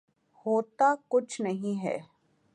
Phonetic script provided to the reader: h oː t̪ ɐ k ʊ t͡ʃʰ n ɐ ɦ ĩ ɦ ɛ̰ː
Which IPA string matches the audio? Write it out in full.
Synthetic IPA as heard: h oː t̪ a k ʊ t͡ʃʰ n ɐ ɦ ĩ ɦ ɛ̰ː

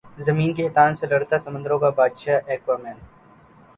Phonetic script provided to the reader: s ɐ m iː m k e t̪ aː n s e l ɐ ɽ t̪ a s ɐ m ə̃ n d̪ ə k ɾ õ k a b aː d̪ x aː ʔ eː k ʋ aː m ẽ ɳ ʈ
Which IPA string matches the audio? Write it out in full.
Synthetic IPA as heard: z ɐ m iː n k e t̪ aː n s e l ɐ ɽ t̪ a s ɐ m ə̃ n d̪ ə ɾ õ k a b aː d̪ ʃ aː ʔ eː k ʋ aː m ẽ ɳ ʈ

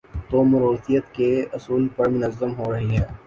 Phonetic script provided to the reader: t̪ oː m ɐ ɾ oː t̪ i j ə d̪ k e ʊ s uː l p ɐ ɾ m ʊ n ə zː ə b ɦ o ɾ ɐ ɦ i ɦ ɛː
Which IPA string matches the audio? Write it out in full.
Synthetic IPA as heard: t̪ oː m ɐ ɾ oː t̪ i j ə t̪ k e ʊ s uː l p ɐ ɾ m ʊ n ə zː ə m ɦ o ɾ ɐ ɦ i ɦ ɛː

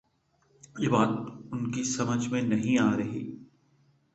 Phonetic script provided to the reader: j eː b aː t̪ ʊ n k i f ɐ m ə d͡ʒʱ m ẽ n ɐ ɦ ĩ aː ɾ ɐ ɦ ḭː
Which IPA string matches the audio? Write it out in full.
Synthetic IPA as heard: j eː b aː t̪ ʊ n k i s ɐ m ə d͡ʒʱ m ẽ n ɐ ɦ ĩ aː ɾ ɐ ɦ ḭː

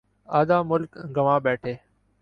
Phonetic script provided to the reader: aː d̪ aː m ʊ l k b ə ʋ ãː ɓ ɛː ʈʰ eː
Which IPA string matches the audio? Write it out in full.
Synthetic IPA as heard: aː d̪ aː m ʊ l k ɡ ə ʋ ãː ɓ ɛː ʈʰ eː

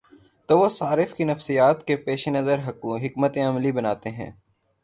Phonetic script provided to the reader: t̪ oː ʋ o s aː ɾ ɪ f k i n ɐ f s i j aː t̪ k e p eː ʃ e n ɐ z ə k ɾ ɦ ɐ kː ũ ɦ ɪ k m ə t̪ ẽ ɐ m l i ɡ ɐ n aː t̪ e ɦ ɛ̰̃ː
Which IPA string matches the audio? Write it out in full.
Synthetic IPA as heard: t̪ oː ʋ o s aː ɾ ɪ f k i n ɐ f s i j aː t̪ k e p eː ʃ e n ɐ z ə ɾ ɦ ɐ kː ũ ɦ ɪ k m ə t̪ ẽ ɐ m l i b ɐ n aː t̪ e ɦ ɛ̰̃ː

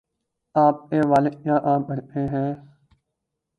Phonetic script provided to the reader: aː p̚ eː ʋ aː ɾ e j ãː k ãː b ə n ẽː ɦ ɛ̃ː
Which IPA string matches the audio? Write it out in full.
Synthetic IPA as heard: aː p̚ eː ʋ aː l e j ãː ʔ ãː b ə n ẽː ɦ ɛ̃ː

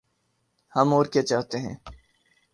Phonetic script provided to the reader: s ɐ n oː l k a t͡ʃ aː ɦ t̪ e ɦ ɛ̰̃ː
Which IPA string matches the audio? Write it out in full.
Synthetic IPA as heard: h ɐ m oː ɾ k e t͡ʃ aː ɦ t̪ e ɦ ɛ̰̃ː

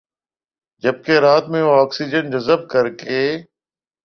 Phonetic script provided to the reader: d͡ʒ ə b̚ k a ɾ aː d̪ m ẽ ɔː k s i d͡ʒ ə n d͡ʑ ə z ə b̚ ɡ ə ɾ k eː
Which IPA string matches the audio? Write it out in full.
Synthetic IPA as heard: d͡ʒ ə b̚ k e ɾ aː t̪ m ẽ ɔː k s i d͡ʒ ə n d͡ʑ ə z ə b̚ k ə ɾ k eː

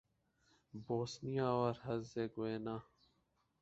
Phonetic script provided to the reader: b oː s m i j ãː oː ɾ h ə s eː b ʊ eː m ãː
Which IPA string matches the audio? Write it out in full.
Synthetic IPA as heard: b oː s n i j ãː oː ɾ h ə z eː ɡ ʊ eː n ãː

